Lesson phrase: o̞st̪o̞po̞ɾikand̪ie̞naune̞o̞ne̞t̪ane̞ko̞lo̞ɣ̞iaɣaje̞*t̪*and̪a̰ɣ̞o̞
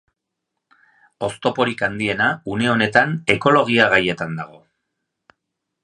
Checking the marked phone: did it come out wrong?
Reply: no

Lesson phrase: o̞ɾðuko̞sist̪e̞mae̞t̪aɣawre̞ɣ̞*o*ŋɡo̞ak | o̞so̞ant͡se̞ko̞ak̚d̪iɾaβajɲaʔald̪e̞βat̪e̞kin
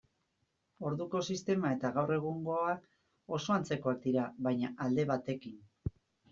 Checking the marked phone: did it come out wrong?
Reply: yes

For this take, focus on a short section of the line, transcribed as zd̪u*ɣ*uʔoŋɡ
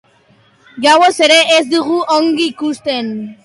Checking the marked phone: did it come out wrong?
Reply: no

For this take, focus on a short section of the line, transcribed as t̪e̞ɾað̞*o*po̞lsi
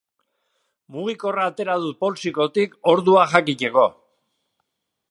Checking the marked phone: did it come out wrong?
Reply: yes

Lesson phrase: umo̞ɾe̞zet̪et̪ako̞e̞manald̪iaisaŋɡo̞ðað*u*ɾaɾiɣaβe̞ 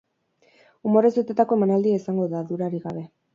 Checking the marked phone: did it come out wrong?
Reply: no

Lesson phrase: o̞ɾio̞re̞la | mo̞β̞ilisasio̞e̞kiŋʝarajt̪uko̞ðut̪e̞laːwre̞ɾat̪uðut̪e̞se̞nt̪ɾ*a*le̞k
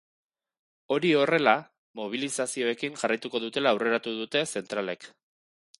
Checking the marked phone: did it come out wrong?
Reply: no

